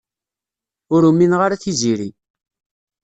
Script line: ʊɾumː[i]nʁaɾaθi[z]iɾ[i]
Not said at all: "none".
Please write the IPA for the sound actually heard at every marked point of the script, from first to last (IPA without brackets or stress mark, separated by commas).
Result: i, z, i